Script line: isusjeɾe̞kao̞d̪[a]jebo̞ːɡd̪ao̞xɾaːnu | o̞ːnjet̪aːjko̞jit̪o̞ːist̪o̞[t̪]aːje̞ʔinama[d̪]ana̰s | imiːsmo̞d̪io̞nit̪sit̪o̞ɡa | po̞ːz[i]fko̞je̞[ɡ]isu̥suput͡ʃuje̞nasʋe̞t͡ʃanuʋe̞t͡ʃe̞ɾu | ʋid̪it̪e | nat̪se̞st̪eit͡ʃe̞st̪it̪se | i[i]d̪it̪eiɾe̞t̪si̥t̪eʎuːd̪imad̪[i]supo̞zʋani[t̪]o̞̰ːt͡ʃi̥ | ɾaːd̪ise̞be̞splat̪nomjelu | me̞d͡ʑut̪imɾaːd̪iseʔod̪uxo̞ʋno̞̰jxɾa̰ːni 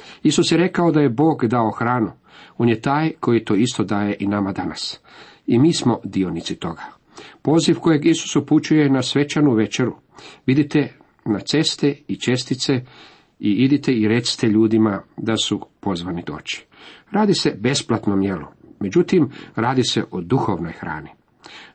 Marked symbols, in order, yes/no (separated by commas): yes, no, yes, yes, yes, yes, no, no